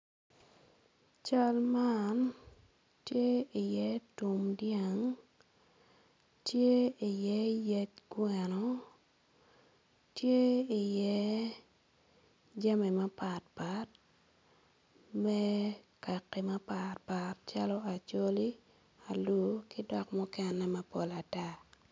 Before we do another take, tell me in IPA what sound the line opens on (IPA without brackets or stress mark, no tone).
t͡ʃ